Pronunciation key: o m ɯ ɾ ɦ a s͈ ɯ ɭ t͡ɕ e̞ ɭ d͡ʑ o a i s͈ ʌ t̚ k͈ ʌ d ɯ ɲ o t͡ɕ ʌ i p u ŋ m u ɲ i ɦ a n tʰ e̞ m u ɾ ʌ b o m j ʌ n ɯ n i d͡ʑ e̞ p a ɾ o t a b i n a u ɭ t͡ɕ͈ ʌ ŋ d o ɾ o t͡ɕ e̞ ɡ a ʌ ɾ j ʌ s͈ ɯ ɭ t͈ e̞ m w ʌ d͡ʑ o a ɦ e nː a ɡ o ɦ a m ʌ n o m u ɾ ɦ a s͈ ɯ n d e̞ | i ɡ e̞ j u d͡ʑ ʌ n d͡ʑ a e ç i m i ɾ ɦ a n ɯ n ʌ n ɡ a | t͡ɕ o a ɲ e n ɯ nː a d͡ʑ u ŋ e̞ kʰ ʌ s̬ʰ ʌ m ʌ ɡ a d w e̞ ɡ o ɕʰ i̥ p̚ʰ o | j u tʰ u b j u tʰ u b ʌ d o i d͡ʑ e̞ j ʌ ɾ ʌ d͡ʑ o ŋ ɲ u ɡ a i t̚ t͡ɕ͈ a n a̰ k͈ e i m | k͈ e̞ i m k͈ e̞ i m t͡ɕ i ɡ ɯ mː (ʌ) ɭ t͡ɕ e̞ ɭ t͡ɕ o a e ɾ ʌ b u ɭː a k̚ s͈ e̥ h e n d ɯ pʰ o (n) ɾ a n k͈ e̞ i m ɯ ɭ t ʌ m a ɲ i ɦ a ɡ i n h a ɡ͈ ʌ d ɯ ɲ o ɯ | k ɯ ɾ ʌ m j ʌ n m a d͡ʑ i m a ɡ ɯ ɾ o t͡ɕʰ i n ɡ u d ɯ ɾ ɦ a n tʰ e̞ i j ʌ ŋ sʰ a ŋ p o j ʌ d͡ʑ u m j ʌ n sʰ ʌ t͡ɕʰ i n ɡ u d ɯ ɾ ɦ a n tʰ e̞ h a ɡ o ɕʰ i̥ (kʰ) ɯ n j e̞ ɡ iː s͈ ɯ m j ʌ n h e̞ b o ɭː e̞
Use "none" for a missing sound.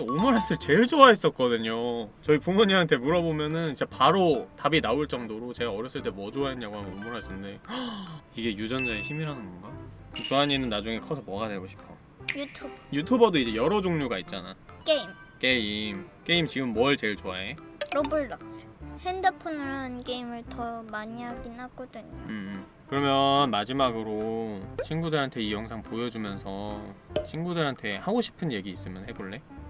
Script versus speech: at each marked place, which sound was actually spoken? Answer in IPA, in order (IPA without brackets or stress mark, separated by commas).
ʌ, n, pʰ